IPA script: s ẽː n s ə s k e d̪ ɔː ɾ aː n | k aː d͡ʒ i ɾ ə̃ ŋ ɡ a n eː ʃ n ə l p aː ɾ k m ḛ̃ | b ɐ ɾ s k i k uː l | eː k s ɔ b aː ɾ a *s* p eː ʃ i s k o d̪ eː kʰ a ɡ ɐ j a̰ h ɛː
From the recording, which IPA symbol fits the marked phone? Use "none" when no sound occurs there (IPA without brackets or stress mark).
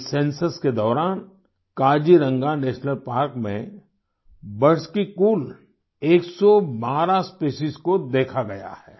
s